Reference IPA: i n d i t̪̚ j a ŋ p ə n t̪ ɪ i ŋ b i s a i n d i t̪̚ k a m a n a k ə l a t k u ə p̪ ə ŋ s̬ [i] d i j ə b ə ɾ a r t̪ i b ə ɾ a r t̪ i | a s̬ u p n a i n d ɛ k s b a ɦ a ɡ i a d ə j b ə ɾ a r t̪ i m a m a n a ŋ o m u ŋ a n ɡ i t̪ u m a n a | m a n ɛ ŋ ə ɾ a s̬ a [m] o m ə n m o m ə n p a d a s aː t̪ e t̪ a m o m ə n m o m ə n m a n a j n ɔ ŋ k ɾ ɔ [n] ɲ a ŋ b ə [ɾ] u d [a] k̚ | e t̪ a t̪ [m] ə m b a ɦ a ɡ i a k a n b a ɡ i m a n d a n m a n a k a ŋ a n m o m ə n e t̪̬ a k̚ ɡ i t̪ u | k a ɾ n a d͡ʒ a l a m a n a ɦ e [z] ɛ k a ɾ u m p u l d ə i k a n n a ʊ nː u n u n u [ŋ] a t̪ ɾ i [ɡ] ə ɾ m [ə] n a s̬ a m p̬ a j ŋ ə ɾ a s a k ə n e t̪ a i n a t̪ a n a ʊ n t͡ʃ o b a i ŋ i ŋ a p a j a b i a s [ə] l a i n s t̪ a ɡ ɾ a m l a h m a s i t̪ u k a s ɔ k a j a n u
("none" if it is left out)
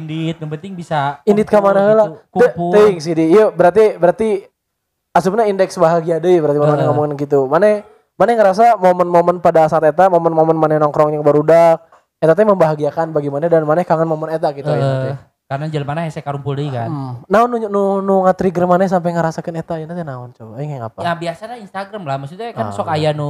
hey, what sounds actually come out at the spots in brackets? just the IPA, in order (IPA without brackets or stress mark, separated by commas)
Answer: i, m, ŋ, ɾ, a, m, s, ŋ, ɡ, a, a